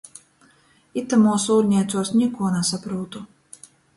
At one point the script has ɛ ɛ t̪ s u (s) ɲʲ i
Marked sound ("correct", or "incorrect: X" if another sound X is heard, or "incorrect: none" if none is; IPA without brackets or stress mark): correct